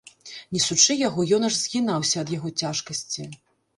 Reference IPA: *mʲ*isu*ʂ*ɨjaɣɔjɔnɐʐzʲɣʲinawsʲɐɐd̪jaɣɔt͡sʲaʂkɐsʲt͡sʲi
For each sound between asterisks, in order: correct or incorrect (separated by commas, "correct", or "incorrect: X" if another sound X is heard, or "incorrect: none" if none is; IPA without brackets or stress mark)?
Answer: incorrect: nʲ, incorrect: t͡ʂ